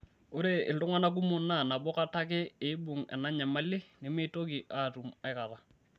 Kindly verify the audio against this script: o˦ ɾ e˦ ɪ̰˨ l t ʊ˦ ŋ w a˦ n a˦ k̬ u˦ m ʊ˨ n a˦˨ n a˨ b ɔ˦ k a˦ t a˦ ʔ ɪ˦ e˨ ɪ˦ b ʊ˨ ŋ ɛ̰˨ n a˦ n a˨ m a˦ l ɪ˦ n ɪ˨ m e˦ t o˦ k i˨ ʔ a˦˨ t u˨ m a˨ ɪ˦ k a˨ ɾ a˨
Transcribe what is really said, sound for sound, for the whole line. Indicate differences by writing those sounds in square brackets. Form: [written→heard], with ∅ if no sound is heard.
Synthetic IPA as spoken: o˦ ɾ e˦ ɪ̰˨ l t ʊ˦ ŋ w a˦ n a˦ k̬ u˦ m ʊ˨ n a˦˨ n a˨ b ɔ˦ k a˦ t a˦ [ʔ→k] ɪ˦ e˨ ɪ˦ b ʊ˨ ŋ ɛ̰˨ n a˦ [n→ɲ] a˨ m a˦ l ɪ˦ n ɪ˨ m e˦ t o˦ k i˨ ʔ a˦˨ t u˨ m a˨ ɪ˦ k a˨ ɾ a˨